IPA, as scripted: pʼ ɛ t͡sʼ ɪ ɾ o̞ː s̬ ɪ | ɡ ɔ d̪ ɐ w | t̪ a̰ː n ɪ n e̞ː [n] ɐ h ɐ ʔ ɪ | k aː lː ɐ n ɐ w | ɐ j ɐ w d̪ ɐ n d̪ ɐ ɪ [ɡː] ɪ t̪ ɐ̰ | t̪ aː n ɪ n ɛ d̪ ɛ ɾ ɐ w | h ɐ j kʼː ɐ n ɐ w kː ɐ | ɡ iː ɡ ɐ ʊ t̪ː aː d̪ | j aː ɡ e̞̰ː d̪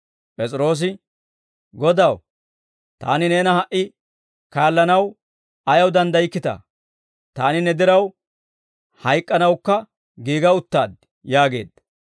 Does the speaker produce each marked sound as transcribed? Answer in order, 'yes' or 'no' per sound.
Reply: yes, no

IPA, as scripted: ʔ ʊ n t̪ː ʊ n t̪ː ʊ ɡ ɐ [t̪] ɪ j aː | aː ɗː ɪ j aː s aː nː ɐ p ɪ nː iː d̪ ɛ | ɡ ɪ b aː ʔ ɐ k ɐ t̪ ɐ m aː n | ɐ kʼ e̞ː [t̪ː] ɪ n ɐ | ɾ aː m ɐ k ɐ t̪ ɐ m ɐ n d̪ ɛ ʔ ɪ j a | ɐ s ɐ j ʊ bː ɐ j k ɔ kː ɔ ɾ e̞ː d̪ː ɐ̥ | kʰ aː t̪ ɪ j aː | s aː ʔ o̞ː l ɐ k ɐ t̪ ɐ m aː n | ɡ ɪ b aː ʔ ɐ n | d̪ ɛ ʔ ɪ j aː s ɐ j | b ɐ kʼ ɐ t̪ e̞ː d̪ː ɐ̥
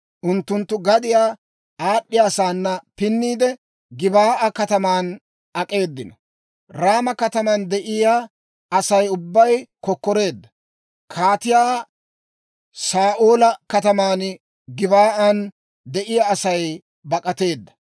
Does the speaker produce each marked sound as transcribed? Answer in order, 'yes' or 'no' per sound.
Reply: no, no

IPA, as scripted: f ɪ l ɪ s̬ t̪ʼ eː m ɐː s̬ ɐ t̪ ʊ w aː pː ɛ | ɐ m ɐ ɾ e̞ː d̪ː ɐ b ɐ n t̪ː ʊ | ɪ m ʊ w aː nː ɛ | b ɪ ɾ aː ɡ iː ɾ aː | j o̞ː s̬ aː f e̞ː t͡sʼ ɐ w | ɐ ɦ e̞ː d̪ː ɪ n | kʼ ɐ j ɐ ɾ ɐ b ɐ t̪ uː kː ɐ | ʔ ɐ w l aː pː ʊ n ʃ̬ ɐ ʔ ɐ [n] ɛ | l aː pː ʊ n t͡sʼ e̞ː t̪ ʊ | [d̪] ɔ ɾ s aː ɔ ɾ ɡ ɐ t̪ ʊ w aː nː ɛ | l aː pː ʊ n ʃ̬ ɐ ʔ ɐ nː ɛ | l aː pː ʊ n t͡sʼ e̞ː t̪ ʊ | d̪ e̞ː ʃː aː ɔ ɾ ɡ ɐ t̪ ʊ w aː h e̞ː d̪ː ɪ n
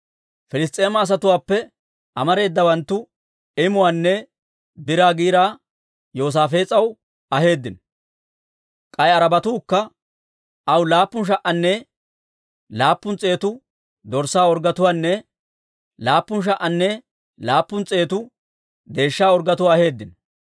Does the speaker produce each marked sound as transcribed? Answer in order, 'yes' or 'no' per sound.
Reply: no, yes

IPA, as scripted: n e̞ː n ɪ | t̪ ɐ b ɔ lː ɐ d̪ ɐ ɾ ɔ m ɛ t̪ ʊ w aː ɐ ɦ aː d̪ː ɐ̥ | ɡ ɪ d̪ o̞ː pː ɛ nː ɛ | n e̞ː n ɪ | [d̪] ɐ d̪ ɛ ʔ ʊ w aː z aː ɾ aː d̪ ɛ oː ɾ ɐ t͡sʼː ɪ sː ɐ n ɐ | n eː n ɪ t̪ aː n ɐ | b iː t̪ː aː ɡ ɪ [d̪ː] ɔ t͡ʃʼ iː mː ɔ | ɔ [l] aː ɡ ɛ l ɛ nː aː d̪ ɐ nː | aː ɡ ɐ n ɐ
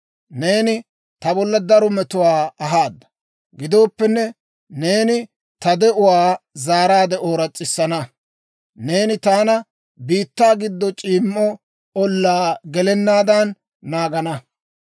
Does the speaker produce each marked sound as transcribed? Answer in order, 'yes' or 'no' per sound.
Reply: no, yes, no

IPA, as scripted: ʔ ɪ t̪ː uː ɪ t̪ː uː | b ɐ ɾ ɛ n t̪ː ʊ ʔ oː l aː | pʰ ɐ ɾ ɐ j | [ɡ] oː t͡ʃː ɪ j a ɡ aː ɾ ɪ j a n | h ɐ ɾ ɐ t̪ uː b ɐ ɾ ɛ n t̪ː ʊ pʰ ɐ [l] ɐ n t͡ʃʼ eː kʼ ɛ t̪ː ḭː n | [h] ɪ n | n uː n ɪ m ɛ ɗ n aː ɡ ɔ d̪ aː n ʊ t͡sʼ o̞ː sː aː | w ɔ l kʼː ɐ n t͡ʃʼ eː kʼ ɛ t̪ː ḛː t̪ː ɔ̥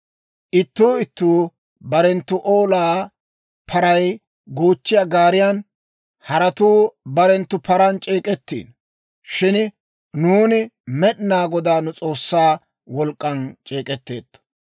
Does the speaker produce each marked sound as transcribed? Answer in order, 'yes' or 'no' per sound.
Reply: yes, no, no

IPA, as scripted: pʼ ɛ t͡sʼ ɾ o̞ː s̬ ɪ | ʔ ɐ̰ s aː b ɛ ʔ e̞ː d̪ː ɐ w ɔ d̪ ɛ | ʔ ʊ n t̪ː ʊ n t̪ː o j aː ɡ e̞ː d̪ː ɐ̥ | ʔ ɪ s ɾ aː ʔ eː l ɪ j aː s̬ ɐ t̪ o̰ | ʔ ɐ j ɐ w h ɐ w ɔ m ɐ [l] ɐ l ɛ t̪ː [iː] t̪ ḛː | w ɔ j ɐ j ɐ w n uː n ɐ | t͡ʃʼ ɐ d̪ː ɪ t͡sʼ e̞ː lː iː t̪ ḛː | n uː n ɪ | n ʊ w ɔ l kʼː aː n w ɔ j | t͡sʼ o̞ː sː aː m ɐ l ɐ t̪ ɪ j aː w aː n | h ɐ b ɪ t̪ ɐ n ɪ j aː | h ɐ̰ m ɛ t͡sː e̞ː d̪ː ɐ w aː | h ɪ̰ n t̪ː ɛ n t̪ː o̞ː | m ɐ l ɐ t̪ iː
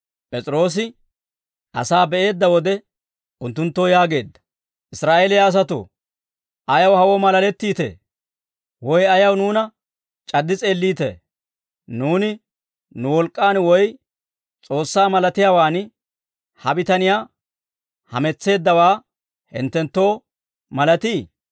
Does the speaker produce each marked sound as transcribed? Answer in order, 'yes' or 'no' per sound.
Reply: yes, yes

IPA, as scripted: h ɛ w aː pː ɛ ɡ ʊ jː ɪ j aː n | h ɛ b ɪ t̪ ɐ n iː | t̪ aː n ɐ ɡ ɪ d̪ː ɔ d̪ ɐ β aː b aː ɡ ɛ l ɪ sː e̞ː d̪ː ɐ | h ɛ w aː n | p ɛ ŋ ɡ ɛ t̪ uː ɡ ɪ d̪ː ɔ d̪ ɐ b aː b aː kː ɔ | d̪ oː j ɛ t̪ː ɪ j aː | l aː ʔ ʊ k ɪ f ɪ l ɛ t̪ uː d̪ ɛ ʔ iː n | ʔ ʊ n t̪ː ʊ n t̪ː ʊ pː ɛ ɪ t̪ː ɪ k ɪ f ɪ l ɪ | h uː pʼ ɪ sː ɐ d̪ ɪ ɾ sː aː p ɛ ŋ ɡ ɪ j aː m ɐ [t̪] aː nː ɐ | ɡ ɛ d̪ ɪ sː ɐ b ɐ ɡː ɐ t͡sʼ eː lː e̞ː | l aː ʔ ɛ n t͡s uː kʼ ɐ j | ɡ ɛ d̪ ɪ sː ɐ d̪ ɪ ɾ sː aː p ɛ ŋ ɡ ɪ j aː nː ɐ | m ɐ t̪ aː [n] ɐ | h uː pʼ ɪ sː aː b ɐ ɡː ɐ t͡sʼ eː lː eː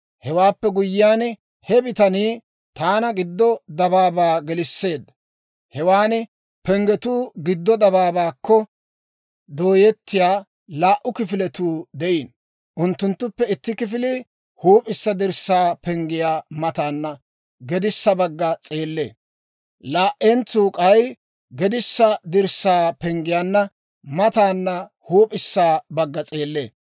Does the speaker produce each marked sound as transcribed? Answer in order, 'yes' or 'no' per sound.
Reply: yes, no

